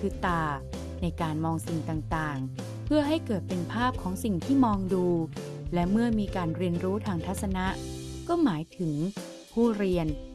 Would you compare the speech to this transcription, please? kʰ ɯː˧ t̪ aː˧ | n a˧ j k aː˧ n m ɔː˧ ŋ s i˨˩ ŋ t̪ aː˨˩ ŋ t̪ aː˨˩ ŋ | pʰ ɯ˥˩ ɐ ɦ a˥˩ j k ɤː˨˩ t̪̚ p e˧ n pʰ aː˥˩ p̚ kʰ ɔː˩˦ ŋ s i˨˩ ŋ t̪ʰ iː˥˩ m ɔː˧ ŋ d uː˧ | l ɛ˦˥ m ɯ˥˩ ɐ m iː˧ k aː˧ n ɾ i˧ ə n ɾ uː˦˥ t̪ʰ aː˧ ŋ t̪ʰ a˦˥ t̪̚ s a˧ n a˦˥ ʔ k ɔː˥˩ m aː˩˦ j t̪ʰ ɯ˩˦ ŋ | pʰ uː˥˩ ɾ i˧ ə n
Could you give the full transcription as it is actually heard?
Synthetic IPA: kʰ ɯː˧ t̪ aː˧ | n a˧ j k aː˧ n m ɔː˧ ŋ s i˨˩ ŋ t̪ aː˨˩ ŋ t̪ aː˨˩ ŋ | pʰ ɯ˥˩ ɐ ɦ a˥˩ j k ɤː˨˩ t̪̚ p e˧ n pʰ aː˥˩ p̚ kʰ ɔː˩˦ ŋ s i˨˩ ŋ t̪ʰ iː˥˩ m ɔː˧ ŋ d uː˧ | l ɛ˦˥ m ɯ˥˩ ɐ m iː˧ k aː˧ n ɾ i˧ ə n ɾ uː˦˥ t̪ʰ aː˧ ŋ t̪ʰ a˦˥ t̪̚ s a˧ n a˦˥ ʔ k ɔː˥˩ m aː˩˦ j t̪ʰ ɯ˩˦ ŋ | pʰ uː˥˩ ɾ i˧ ə n

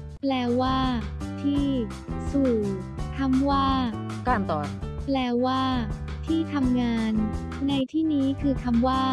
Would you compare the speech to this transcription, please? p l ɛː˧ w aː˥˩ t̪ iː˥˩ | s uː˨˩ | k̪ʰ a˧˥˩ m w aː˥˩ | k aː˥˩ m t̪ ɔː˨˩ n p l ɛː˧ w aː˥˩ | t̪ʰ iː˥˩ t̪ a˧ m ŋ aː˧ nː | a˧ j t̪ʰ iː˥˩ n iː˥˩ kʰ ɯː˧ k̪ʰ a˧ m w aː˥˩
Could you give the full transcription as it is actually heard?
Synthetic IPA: p l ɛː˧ w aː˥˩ t̪ʰ iː˥˩ | s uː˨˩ | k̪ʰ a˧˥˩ m w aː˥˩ | k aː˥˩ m t̪ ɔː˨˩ n p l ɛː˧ w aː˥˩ | t̪ʰ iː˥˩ t̪ʰ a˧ m ŋ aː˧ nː | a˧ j t̪ʰ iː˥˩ n iː˦˥ kʰ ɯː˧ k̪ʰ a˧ m w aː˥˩

